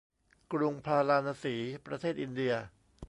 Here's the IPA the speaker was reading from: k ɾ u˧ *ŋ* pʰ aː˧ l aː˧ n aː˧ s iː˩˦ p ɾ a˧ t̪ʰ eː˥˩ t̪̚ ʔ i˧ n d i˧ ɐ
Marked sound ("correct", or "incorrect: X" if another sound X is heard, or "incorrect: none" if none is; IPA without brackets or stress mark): correct